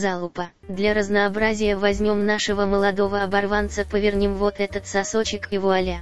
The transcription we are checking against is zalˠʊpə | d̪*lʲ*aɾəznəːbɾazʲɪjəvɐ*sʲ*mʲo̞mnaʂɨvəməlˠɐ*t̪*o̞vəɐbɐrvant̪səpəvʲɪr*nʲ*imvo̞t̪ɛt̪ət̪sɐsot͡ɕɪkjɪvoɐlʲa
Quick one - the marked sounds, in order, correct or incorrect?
correct, incorrect: zʲ, incorrect: d̪, correct

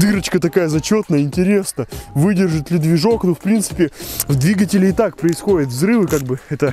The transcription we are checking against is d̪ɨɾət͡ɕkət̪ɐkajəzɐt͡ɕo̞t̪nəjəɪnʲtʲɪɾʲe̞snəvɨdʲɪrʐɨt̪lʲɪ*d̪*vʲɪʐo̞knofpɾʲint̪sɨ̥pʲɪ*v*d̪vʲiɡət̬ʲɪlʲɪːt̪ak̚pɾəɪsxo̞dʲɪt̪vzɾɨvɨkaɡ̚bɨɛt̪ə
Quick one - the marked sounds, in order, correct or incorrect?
correct, correct

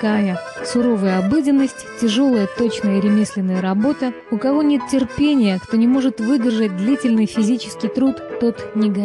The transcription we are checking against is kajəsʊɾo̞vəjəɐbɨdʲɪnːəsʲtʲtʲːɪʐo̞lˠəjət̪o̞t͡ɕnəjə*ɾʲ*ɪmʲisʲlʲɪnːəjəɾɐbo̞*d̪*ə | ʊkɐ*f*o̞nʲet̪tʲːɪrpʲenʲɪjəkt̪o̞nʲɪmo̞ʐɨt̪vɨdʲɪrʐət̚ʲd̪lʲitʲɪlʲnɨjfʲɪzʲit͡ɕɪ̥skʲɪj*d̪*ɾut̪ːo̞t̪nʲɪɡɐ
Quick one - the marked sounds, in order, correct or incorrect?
correct, incorrect: t̪, incorrect: v, incorrect: t̪

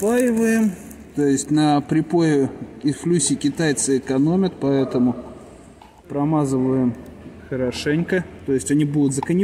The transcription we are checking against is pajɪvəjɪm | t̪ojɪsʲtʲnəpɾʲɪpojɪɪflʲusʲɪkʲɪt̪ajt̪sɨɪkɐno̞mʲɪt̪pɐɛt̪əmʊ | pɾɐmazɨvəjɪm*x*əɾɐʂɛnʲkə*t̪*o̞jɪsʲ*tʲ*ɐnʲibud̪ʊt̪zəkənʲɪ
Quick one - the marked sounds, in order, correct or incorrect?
correct, correct, correct

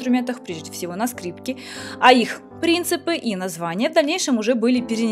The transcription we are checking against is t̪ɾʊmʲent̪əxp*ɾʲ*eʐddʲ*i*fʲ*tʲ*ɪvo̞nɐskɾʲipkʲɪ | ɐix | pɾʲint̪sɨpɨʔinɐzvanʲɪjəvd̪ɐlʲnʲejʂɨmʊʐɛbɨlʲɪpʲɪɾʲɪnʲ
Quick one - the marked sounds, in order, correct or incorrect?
correct, incorrect: ɪ, incorrect: sʲ

